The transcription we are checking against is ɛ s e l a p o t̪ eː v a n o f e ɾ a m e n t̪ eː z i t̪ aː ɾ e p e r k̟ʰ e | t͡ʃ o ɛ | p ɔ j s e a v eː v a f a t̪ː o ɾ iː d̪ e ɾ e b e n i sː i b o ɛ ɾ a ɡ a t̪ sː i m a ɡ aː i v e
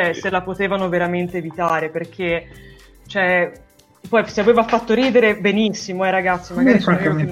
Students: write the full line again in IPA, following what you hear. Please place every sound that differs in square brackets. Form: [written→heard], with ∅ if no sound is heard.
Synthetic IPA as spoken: ɛ s e l a p o t̪ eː v a n o [f→v] e ɾ a m e n t̪ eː [z→v] i t̪ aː ɾ e p e r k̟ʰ e | t͡ʃ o ɛ | p ɔ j s e a v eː v a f a t̪ː o ɾ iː d̪ e ɾ e b e n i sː i [b→m] o ɛ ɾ a ɡ a t̪ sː i m a ɡ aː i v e